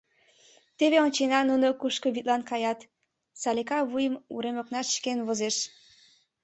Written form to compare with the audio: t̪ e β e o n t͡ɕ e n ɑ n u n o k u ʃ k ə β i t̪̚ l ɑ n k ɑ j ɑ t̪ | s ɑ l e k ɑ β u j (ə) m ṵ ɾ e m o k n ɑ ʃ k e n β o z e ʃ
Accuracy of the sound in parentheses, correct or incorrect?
correct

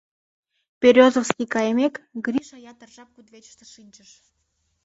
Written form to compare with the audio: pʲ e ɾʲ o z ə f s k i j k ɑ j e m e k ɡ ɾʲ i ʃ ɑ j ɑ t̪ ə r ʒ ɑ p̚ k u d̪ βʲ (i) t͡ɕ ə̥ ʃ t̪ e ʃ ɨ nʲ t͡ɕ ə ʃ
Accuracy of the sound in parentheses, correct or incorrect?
incorrect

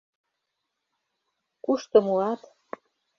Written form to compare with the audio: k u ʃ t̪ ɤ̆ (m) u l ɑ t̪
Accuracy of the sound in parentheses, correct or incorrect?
correct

